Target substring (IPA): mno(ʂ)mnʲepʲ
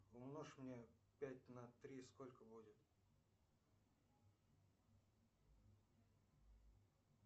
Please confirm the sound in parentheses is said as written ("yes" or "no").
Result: yes